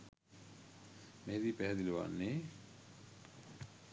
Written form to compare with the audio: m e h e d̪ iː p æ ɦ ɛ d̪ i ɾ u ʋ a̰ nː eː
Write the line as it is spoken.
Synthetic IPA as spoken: m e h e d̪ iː p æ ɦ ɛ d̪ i l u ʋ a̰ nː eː